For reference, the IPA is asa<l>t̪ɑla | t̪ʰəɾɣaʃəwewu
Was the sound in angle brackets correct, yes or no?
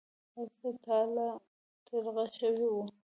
no